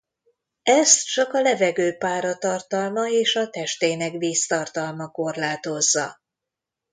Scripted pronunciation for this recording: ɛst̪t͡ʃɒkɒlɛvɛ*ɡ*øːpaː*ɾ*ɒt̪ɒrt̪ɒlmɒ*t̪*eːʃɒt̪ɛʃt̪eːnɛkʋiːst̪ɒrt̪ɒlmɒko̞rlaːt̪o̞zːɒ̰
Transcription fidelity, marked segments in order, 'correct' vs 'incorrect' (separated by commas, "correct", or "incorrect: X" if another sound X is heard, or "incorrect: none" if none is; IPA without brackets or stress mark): correct, correct, incorrect: none